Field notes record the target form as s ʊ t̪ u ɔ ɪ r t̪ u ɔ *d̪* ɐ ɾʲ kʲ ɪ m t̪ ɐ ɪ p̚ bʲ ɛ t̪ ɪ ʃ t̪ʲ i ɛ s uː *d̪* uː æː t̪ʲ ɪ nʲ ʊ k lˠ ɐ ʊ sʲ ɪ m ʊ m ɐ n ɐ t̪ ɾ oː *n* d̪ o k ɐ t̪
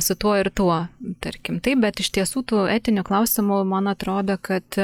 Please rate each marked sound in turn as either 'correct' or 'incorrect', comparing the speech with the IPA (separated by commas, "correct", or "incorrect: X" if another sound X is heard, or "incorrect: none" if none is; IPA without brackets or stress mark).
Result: incorrect: t̪, incorrect: t̪, incorrect: none